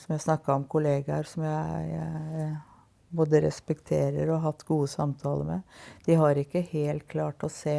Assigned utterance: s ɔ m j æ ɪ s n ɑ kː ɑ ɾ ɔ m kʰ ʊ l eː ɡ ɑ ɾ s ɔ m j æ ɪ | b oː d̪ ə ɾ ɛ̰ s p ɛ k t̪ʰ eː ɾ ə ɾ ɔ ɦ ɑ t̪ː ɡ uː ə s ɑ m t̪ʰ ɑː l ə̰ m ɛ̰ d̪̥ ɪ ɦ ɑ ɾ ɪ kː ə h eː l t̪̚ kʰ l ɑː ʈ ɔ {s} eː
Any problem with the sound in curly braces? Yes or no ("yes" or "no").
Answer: no